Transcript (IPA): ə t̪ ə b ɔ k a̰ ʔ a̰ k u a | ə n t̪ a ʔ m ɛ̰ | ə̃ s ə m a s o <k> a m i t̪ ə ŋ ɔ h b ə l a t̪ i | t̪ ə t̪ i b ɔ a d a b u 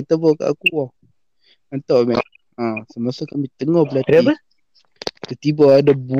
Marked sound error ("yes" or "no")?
no